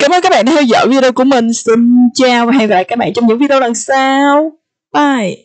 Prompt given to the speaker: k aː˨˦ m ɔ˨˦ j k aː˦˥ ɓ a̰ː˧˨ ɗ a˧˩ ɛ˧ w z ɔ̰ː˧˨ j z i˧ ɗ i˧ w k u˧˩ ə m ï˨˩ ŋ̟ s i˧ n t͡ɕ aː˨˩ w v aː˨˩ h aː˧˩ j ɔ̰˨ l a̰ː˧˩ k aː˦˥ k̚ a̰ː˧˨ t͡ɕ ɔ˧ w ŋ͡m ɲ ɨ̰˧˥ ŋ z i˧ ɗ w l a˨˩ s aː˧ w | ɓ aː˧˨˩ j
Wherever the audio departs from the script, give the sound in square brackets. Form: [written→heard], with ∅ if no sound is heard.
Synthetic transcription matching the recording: k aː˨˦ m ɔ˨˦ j k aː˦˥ ɓ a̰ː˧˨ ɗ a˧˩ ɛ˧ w z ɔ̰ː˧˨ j [z→v] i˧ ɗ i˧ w k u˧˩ ə m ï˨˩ ŋ̟ s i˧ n t͡ɕ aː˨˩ w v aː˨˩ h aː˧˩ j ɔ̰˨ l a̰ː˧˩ k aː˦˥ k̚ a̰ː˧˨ t͡ɕ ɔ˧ w ŋ͡m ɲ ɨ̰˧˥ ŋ [z→v] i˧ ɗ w l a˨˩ s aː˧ w | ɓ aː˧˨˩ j

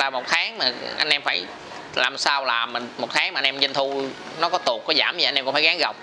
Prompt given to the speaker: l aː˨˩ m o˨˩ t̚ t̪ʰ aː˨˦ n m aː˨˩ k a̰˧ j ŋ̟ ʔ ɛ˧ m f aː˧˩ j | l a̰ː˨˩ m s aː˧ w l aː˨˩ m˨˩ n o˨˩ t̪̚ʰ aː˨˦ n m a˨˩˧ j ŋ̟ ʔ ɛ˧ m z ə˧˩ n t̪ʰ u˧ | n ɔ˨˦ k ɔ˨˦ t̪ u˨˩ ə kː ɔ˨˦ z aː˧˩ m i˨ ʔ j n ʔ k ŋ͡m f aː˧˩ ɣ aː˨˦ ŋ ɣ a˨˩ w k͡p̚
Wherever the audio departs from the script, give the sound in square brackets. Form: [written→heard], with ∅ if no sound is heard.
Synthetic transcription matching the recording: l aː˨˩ m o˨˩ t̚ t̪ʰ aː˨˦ [n→ŋ] m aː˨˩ [k→ʔ] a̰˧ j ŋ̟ ʔ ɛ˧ m f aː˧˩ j | l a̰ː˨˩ m s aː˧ w l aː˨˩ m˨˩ [n→m] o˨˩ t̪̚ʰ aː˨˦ [n→ŋ] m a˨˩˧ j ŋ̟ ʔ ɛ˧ m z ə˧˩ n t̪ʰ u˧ | n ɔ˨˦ k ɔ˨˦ t̪ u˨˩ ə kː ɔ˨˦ z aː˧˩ m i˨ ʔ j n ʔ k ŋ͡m f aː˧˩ ɣ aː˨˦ ŋ ɣ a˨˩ w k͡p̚

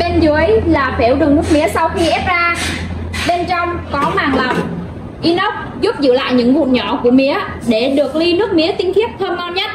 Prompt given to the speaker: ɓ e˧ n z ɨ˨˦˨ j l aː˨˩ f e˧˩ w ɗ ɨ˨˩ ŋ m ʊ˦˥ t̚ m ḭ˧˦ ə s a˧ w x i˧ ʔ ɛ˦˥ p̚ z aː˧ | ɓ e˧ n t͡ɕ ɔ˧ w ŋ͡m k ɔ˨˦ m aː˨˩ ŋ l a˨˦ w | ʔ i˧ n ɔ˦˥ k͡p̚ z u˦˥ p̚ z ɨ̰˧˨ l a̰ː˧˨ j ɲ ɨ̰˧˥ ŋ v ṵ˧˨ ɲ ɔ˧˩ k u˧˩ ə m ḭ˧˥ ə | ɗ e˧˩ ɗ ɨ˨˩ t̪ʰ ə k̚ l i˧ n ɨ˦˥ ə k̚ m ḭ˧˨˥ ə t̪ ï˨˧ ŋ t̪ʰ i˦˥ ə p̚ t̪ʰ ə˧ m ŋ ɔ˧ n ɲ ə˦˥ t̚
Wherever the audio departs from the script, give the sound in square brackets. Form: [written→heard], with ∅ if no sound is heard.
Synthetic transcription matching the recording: ɓ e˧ n z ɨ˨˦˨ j l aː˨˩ f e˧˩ w ɗ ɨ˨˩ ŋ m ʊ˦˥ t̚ m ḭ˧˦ ə s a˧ w x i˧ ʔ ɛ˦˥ p̚ z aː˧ | ɓ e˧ n t͡ɕ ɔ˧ w ŋ͡m k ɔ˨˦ m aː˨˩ ŋ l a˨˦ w | ʔ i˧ n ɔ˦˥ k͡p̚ z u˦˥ p̚ z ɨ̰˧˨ l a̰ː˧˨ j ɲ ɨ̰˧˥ ŋ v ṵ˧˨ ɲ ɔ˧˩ k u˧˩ ə m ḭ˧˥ ə | ɗ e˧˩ ɗ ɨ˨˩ [t̪ʰ→∅] ə k̚ l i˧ n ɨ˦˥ ə k̚ m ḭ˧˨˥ ə t̪ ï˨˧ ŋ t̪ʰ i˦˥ ə p̚ t̪ʰ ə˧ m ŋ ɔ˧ n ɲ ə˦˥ t̚

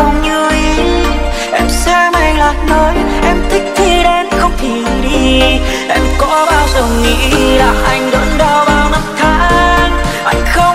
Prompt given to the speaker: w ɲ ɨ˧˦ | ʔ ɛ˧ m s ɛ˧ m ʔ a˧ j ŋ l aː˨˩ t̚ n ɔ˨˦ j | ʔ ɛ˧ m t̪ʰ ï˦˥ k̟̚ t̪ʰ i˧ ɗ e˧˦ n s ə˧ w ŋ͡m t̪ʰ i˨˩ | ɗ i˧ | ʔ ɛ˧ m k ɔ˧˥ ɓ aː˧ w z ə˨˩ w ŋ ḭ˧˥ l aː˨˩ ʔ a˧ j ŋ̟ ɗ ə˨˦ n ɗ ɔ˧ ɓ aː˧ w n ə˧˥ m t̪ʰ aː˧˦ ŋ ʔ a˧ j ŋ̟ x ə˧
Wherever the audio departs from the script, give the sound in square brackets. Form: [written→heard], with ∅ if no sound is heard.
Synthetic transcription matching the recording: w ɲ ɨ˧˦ | ʔ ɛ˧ m s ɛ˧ m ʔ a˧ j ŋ l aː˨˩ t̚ n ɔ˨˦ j | ʔ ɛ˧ m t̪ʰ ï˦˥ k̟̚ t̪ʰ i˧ ɗ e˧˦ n [s→x] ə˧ w ŋ͡m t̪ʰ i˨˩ | ɗ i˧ | ʔ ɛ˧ m k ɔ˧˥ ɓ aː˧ w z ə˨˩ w ŋ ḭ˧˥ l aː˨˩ ʔ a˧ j ŋ̟ ɗ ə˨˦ n ɗ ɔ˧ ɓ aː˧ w n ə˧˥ m t̪ʰ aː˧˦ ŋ ʔ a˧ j ŋ̟ x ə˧

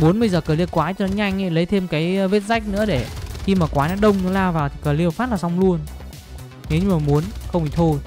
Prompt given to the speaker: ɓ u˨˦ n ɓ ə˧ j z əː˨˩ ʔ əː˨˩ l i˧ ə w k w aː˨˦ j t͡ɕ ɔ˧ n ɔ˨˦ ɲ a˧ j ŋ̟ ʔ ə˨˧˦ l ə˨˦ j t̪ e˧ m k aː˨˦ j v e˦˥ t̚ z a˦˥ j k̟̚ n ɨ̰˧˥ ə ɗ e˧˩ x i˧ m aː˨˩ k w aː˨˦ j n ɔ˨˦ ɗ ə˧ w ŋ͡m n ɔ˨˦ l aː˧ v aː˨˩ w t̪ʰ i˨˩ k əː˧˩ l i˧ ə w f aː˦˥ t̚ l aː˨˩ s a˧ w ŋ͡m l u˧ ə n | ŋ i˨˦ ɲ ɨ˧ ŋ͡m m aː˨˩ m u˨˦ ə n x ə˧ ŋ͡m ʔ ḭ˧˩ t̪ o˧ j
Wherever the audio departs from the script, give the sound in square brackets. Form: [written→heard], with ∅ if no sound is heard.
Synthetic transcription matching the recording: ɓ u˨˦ n ɓ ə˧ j z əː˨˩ [ʔ→k] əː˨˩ l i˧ ə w k w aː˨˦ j t͡ɕ ɔ˧ n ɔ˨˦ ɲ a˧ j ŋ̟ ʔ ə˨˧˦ l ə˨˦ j [t̪→t̪ʰ] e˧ m k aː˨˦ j v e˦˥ t̚ z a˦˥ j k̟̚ n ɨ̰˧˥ ə ɗ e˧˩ x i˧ m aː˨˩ k w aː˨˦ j n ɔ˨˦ ɗ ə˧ w ŋ͡m n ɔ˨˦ l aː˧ v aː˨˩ w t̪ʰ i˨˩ k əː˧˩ l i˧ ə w f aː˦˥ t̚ l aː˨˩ s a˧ w ŋ͡m l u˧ ə n | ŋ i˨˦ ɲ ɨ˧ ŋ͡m m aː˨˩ m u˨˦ ə n x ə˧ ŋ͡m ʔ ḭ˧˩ [t̪→t̪ʰ] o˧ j

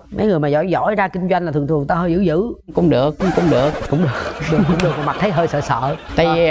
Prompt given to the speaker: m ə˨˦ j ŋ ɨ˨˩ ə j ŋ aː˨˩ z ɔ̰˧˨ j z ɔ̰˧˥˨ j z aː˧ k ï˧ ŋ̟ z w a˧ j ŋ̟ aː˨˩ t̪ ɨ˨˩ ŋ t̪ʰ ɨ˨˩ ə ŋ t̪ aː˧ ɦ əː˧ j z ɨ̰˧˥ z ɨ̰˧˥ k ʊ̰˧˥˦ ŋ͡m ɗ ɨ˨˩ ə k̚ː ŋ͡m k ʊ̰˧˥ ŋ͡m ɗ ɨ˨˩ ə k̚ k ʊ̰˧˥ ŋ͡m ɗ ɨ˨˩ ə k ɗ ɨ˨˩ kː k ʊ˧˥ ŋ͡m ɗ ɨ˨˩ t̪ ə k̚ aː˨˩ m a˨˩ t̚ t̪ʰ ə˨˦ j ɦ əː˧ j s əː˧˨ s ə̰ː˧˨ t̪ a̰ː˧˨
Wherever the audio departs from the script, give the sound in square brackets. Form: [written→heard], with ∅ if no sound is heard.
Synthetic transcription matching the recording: m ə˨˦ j ŋ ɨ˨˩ ə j [ŋ→m] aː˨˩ z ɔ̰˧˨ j z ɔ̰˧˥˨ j z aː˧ k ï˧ ŋ̟ z w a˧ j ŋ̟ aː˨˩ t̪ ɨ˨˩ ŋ t̪ʰ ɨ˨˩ ə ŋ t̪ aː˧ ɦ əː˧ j z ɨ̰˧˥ z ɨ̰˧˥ k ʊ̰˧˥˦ ŋ͡m ɗ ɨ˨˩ ə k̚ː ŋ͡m k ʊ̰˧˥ ŋ͡m ɗ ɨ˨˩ ə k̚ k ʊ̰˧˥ ŋ͡m ɗ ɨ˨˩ ə k ɗ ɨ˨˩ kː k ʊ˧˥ ŋ͡m ɗ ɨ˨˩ [t̪→∅] ə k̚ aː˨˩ m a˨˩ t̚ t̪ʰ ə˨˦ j ɦ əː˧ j s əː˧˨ s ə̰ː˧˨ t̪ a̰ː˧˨

